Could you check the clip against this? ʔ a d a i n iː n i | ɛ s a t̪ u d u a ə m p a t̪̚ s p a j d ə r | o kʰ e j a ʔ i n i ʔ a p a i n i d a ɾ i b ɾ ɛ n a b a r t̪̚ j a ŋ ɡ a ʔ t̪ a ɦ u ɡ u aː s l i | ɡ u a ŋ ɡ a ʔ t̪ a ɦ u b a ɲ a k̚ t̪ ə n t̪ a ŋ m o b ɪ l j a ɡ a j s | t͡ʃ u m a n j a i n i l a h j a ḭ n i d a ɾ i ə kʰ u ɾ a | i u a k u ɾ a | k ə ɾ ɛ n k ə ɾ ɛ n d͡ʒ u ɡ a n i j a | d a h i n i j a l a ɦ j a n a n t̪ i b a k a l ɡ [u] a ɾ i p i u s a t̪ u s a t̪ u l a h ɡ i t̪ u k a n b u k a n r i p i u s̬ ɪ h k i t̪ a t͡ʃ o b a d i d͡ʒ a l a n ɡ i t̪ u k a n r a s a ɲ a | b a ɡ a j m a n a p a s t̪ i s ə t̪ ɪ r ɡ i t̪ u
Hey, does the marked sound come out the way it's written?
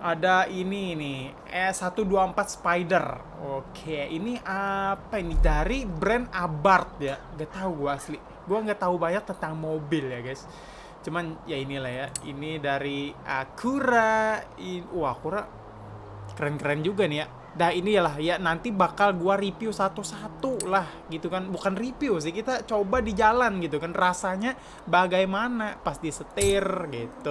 yes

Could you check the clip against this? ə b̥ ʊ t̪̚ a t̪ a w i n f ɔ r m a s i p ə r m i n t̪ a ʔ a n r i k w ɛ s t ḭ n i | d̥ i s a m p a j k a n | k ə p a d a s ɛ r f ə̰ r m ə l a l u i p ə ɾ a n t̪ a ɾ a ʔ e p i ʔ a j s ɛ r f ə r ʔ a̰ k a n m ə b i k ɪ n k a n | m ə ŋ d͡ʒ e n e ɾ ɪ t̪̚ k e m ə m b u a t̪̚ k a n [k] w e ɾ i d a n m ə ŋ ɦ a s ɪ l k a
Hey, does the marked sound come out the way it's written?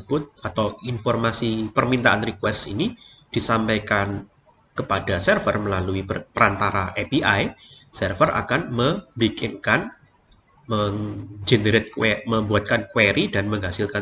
yes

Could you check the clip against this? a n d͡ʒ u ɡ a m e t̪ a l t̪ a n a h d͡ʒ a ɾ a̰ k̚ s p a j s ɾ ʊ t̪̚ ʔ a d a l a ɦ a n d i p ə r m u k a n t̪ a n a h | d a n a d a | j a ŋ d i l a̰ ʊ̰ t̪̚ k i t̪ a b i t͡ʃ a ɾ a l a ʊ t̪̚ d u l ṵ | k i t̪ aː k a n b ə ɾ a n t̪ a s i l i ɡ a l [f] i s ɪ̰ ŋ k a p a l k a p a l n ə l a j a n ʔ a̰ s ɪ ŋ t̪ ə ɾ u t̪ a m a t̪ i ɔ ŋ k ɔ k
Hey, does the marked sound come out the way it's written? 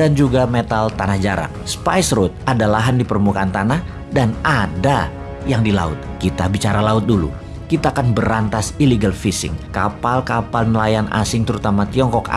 yes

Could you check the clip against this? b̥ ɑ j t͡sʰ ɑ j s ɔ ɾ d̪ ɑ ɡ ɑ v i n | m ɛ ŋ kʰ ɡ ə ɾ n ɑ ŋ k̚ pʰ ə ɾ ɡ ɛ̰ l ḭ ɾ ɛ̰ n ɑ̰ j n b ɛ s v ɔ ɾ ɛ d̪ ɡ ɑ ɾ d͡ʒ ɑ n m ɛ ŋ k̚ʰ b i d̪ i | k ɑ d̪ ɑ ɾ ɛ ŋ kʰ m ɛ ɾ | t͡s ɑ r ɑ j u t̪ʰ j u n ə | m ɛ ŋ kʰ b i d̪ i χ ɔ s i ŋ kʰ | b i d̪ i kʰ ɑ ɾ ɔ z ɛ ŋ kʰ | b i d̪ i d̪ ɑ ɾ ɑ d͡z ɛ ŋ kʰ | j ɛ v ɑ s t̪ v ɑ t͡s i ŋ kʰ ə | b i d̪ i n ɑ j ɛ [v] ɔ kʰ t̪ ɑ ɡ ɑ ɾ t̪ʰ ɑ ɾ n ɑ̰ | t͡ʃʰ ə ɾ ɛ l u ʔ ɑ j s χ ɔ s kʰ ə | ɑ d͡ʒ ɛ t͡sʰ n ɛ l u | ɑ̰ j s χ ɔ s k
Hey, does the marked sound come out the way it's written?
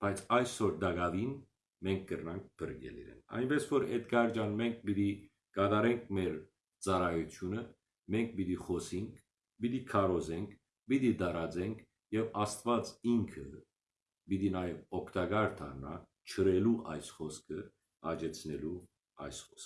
yes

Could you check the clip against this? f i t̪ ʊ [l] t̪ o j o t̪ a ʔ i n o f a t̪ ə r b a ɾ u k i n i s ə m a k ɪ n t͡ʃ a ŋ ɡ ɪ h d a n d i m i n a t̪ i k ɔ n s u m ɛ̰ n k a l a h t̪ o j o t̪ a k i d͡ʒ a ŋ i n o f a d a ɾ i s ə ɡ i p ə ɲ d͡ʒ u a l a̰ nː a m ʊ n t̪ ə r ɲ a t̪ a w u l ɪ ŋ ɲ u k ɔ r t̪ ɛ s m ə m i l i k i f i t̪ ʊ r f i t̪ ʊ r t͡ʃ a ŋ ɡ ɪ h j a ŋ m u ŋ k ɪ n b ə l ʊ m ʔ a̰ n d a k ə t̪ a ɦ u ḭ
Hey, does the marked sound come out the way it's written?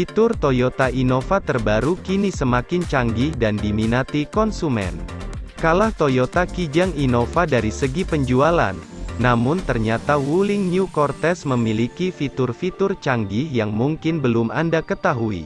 no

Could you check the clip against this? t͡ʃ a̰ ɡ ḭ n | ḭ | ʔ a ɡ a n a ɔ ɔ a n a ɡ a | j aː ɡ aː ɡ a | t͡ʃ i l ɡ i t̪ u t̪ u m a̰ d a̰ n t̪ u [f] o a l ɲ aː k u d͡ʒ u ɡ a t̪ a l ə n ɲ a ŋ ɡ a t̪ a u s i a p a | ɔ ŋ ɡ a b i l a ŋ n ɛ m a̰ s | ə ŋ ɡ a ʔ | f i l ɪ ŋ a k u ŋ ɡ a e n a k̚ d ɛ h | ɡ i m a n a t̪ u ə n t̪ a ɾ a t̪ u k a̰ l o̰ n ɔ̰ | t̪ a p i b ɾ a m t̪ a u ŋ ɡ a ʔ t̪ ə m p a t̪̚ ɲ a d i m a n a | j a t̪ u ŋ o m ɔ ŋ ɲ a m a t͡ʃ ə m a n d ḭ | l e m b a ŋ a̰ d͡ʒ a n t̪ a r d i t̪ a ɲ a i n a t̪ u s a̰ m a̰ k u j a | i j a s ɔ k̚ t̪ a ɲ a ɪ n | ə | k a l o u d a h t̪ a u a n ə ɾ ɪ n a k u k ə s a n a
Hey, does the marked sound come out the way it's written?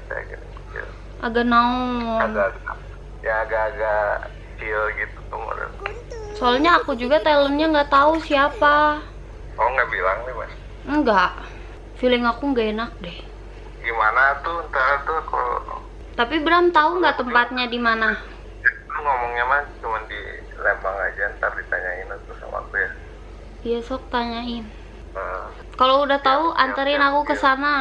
no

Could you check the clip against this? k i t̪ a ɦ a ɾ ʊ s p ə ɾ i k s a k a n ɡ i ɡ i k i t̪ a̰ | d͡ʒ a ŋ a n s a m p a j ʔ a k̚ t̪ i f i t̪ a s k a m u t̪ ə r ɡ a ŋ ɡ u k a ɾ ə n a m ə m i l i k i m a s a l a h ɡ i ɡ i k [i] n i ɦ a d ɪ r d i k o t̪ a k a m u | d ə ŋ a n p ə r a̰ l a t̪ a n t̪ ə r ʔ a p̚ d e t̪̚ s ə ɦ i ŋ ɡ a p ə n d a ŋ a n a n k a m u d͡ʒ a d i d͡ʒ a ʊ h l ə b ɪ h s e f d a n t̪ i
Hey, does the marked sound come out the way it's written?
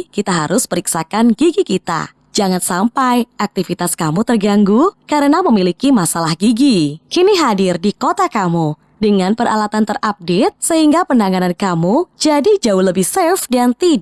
yes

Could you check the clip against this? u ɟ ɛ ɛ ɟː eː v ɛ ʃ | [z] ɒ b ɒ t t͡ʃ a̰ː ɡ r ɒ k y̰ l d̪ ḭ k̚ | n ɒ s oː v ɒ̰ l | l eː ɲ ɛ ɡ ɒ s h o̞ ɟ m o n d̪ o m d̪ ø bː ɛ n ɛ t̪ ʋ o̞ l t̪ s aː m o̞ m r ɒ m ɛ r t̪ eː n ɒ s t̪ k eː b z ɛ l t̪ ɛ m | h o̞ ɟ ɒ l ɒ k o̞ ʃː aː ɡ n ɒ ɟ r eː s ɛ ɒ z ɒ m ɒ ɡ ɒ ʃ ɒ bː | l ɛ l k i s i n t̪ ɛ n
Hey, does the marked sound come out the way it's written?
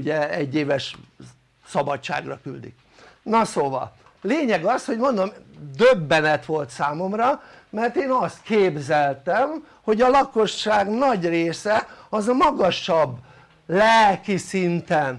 no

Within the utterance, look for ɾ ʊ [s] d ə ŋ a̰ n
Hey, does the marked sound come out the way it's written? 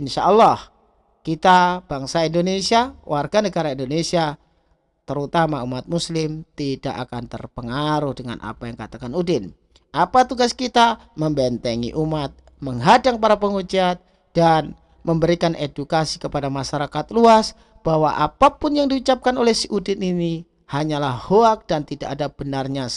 no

